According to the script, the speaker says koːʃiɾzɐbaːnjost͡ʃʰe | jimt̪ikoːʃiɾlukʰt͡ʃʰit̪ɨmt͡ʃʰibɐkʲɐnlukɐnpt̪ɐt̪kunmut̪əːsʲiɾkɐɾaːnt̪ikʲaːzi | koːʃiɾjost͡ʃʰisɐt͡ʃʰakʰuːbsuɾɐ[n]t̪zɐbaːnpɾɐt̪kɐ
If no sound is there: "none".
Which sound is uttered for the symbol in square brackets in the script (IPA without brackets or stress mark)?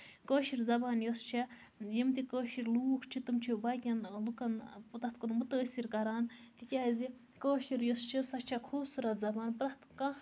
none